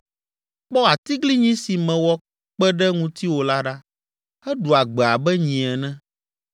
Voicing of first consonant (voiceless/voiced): voiceless